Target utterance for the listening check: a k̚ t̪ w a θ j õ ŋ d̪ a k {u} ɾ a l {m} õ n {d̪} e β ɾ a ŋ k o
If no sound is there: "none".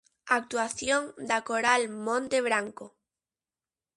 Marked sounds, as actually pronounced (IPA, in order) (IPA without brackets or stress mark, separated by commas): o, m, t̪